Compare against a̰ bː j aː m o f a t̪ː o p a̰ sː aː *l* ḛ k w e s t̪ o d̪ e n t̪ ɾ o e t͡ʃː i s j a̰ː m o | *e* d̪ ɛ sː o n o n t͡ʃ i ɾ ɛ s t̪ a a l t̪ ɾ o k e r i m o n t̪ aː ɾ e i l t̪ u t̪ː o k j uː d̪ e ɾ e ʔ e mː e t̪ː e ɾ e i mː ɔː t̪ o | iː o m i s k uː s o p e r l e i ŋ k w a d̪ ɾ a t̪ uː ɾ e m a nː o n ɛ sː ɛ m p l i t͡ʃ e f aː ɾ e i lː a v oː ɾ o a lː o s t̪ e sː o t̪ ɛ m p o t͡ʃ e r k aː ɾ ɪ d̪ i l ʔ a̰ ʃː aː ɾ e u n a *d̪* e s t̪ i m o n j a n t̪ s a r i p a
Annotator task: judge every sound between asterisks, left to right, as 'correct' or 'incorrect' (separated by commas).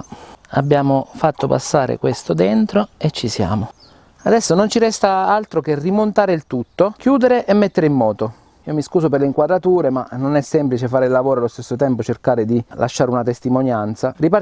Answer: incorrect, incorrect, incorrect